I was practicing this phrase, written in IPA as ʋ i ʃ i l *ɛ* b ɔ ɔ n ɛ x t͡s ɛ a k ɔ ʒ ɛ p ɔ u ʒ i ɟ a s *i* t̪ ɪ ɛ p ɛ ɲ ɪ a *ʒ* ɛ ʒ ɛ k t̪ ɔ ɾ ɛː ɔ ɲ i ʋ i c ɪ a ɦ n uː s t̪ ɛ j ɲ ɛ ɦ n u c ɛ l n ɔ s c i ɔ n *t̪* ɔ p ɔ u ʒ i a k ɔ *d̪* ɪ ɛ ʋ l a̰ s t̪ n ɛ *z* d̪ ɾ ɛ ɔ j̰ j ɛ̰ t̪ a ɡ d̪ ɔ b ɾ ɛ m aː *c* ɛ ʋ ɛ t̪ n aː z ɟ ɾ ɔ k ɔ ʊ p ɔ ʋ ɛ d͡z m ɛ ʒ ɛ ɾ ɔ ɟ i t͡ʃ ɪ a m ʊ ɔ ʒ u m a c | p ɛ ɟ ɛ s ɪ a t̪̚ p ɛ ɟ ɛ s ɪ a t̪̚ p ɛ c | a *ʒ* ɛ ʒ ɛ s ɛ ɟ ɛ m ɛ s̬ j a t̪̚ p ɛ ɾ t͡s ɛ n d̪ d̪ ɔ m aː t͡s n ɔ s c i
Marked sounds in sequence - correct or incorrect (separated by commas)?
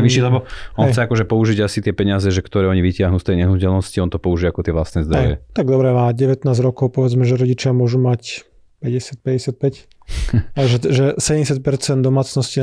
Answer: correct, correct, incorrect, correct, incorrect, correct, incorrect, correct